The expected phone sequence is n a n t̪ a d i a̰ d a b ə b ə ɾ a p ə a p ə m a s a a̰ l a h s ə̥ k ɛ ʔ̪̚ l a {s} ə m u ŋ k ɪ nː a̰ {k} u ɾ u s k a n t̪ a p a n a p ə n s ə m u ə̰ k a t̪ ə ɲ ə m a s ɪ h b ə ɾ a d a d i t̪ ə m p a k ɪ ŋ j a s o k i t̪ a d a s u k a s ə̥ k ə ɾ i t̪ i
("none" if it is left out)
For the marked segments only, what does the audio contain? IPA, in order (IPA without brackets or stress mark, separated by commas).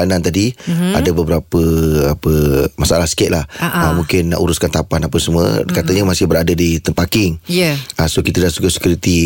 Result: h, ʔ